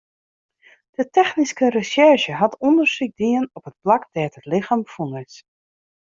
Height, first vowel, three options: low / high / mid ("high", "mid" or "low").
mid